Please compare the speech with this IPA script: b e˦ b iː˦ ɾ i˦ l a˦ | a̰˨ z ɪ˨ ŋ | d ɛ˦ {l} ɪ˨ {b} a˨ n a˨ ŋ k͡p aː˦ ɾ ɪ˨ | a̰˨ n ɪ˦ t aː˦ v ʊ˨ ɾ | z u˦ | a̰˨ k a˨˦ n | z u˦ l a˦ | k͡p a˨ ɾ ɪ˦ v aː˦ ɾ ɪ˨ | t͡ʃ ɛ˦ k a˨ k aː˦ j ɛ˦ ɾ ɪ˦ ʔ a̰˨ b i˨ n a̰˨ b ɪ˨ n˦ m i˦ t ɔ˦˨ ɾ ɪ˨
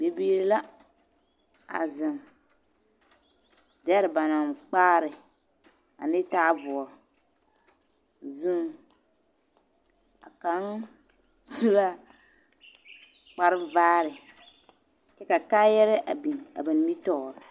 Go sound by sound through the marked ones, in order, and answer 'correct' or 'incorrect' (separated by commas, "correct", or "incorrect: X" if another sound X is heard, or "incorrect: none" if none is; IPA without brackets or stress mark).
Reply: incorrect: ɾ, correct